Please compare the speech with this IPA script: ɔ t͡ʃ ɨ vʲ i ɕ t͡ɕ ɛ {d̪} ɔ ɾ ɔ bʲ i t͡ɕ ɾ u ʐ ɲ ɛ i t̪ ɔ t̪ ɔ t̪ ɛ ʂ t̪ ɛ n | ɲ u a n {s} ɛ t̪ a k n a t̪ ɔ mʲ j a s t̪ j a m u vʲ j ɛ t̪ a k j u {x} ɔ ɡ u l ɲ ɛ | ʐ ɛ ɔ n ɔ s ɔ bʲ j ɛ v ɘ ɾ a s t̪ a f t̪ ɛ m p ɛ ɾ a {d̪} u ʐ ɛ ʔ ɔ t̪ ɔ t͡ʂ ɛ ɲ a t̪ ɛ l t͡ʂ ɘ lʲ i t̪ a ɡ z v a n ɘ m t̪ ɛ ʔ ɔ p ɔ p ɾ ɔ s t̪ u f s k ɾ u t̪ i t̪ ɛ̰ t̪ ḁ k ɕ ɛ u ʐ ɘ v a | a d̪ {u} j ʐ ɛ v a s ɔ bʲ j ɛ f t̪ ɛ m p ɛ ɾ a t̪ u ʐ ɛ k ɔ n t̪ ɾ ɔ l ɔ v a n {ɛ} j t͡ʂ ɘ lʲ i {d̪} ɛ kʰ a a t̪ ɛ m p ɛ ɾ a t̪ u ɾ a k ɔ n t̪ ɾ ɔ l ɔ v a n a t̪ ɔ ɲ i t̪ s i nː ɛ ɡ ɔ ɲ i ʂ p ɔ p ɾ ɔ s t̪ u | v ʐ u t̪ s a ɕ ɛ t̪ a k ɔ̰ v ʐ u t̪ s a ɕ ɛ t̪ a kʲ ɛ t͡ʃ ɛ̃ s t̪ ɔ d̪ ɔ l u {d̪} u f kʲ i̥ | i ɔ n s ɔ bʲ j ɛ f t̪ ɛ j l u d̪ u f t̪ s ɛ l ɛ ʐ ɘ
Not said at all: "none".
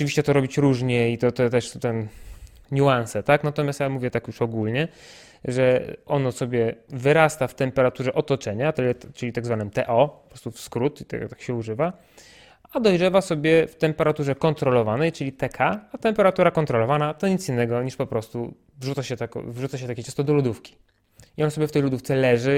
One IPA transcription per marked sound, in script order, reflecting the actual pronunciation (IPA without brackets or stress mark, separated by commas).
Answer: t̪, s, ʂ, t̪, ɔ, ɛ, t̪, d̪